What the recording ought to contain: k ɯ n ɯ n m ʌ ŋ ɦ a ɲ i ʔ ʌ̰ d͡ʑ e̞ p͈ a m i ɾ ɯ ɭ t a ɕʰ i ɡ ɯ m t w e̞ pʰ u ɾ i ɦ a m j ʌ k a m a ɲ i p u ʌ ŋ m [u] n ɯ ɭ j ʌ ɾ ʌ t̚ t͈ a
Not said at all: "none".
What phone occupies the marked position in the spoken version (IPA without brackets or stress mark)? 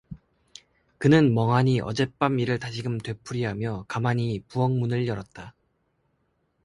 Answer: u